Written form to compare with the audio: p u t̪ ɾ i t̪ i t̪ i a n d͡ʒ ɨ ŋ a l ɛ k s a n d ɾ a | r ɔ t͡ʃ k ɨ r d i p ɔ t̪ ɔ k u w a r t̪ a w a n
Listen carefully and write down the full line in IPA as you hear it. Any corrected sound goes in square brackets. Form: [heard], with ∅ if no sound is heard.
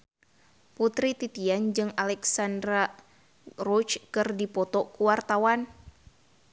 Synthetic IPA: p u t̪ ɾ i t̪ i t̪ i a n d͡ʒ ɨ ŋ a l ɛ k s a n d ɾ a | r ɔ t͡ʃ k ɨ r d i p ɔ t̪ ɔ k u w a r t̪ a w a n